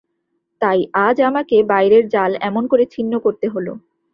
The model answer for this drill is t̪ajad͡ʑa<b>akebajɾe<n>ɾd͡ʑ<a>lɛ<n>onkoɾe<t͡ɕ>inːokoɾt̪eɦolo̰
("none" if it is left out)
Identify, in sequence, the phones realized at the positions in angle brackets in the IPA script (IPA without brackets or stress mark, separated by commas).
m, none, a, m, t͡ɕʰ